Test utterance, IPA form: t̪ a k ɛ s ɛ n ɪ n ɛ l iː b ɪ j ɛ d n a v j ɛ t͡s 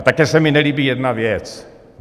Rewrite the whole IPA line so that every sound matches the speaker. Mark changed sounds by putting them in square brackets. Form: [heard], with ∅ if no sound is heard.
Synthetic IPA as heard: t̪ a k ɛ s ɛ [m] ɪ n ɛ l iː b [i] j ɛ d n a v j ɛ t͡s

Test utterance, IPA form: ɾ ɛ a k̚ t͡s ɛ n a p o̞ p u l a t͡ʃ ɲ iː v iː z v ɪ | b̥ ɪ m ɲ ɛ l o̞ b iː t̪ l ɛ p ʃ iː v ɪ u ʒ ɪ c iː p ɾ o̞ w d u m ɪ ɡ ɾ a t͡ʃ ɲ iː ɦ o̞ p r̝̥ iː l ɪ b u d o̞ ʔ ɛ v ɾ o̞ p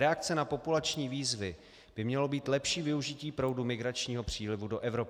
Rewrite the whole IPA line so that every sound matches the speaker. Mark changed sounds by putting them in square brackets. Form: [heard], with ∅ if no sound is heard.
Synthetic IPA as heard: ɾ ɛ a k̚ t͡s ɛ n a p o̞ p u l a t͡ʃ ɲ iː v iː z v ɪ | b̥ ɪ m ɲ ɛ l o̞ b iː t̪ l ɛ p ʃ iː v ɪ u ʒ ɪ c iː p ɾ o̞ w d u m ɪ ɡ ɾ a t͡ʃ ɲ iː ɦ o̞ p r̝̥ iː l ɪ [v] u d o̞ ʔ ɛ v ɾ o̞ p

